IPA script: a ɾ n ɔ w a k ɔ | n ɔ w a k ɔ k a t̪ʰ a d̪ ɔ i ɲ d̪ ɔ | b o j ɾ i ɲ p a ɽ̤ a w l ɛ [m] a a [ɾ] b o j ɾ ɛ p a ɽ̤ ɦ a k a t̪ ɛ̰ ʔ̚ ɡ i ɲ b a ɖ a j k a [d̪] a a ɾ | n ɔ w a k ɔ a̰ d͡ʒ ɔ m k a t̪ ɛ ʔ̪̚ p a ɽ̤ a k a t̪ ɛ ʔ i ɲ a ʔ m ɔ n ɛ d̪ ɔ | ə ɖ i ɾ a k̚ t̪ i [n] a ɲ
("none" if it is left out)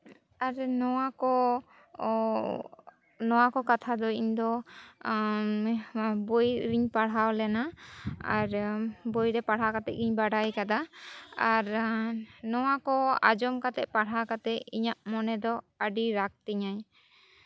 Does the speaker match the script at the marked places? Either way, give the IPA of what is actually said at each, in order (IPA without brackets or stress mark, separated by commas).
n, ɾ, d̪, ɲ